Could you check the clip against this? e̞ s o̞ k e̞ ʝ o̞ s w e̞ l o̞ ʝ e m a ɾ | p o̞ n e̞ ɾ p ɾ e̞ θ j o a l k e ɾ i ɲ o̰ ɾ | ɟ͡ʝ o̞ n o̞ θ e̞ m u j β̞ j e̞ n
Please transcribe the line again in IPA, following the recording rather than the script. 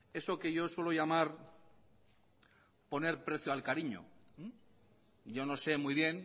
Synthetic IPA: e̞ s o̞ k e̞ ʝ o̞ s w e̞ l o̞ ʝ a m a ɾ | p o̞ n e̞ ɾ p ɾ e̞ θ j o a l k a ɾ i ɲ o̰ | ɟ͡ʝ o̞ n o̞ s e̞ m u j β̞ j e̞ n